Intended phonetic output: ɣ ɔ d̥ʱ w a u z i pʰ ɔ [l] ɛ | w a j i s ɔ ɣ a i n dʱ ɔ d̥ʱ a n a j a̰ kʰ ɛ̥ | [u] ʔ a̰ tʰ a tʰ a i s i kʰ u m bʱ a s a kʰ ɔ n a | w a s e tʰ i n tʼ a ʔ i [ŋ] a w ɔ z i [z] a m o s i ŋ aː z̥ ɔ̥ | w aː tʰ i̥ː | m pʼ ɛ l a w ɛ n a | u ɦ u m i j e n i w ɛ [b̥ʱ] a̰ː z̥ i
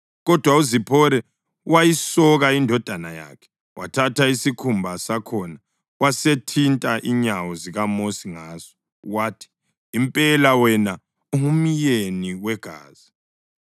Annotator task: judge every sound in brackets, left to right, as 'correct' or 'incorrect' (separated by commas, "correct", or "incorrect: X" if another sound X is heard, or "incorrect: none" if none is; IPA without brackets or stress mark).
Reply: incorrect: ɾ, incorrect: w, incorrect: ɲ, incorrect: ɣ, incorrect: ɡ̥ʱ